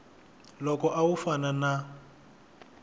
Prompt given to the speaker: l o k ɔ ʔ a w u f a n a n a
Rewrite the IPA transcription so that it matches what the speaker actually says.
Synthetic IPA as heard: l ɔ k ɔ ʔ a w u f a n a n a